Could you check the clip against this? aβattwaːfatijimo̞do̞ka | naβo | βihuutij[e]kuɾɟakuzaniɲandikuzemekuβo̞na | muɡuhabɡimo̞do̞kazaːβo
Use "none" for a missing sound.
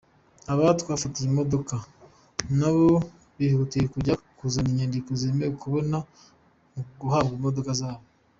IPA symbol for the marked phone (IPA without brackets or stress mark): e